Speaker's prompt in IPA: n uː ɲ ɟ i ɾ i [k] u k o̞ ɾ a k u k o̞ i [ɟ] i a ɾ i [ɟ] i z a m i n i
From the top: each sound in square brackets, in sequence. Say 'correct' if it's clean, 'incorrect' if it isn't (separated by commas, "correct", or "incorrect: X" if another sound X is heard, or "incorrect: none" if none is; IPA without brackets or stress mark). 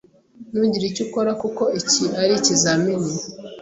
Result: incorrect: c, incorrect: c, incorrect: c